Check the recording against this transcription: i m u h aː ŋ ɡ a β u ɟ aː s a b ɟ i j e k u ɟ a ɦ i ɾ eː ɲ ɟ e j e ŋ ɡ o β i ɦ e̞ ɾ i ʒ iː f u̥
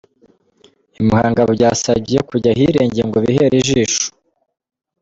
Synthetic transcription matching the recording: i m u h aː ŋ ɡ a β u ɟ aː s a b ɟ i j e k u ɟ a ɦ i ɾ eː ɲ ɟ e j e ŋ ɡ o β i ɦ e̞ ɾ i ʒ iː ʃ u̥